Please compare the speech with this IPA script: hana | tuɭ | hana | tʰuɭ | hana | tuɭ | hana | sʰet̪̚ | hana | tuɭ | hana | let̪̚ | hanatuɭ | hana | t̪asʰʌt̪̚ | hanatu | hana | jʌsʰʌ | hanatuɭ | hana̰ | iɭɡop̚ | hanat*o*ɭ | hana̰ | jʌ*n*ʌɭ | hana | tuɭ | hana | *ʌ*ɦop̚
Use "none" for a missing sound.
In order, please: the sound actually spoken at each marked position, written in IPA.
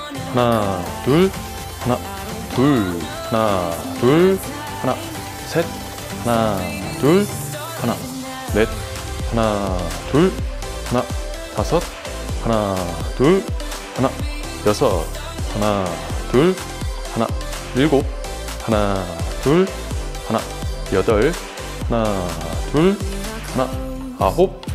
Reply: u, d, a

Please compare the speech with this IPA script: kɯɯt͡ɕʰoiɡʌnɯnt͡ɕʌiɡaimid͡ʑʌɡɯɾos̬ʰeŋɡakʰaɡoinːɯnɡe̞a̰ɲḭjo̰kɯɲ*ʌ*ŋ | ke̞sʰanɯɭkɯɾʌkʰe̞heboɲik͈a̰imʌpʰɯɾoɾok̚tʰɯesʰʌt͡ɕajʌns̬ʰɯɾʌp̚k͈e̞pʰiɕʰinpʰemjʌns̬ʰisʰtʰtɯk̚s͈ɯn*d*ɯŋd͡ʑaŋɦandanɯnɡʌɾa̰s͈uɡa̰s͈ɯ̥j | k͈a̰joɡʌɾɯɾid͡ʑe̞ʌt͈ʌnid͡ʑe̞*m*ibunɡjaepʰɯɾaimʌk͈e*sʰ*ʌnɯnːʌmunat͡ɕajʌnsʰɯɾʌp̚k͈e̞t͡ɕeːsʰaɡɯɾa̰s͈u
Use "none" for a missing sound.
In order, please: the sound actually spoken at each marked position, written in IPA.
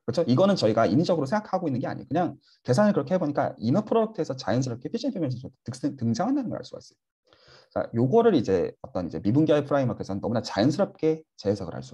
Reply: a, t, m, sʰ

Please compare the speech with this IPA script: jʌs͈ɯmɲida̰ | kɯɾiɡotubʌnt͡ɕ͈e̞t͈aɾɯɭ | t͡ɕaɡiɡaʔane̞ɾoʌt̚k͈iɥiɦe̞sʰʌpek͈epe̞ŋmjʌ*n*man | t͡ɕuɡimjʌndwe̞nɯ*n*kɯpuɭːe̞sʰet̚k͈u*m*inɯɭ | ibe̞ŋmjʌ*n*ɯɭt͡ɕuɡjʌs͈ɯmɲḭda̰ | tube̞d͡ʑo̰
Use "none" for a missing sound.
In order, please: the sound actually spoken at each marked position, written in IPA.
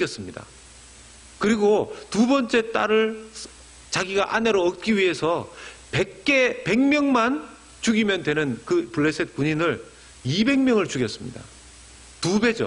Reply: ŋ, n, ɲ, ŋ

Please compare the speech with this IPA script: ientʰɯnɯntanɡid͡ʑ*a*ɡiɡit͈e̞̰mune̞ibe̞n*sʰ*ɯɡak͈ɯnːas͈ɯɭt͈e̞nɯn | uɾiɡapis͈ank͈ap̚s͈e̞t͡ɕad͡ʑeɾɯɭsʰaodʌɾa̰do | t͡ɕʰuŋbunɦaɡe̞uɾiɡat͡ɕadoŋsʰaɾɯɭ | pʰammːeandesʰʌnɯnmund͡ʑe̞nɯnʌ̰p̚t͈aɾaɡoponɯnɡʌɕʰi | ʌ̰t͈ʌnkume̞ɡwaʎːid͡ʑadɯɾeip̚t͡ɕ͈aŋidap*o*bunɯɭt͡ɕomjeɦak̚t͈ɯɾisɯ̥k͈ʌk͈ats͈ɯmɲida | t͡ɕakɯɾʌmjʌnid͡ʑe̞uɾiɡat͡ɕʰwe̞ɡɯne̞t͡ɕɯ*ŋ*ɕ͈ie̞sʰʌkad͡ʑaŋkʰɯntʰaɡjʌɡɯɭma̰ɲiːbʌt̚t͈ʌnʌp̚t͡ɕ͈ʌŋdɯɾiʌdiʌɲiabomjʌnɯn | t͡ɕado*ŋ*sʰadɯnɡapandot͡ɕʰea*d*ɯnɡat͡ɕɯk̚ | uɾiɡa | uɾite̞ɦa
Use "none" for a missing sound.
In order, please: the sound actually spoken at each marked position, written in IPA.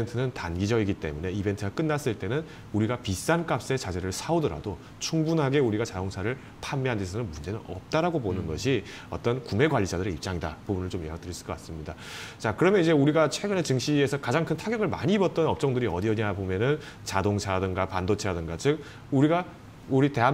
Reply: ʌ, tʰ, u, ŋ, ŋ, d

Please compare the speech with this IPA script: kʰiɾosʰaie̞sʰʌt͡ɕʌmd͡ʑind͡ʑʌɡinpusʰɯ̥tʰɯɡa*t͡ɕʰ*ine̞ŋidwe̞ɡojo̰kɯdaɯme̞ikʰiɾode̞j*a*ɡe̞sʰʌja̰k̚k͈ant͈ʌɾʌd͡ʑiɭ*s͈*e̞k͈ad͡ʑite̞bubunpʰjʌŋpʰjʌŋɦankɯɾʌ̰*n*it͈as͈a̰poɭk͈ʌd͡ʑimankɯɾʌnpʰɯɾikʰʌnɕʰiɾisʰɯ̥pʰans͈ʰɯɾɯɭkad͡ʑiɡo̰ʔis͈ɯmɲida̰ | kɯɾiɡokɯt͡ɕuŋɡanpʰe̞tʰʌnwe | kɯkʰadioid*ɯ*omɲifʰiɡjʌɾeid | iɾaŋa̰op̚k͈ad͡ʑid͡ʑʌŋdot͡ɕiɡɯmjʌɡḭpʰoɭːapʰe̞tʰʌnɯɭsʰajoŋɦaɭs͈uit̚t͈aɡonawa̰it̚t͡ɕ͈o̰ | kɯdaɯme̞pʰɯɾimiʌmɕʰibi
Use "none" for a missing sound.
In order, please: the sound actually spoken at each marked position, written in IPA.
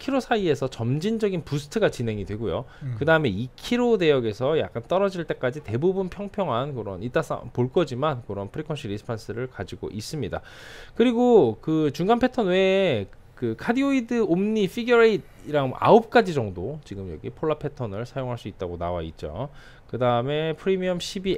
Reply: t͡ɕ, ʌ, t͈, n, ɯ

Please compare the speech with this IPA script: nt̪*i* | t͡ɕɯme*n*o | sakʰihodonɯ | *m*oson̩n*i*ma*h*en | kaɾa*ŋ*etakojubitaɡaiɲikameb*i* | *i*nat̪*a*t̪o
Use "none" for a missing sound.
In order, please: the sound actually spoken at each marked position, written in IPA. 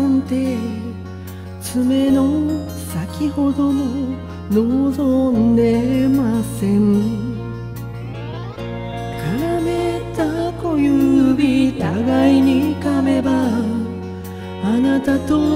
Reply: e, n, n, e, s, m, a, a, a

